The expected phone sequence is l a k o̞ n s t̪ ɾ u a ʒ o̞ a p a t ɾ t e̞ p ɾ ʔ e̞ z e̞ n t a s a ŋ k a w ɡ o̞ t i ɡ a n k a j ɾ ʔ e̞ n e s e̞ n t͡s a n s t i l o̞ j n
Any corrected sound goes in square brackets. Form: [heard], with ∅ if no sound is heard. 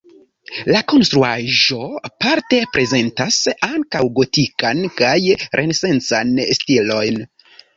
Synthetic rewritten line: l a k o̞ n s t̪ ɾ u a ʒ o̞ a p a [∅] ɾ t e̞ p ɾ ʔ e̞ z e̞ n t a s a ŋ k a w ɡ o̞ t i [k] a n k a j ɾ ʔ e̞ n e s e̞ n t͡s a n s t i l o̞ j n